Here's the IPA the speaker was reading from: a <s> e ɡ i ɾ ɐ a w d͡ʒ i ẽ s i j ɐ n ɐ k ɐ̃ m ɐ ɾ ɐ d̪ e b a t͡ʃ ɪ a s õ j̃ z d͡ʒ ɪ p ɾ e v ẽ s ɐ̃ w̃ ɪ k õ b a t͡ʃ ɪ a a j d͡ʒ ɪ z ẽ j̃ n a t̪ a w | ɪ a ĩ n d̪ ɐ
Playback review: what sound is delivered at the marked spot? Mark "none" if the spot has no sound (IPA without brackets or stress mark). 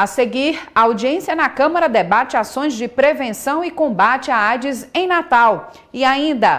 s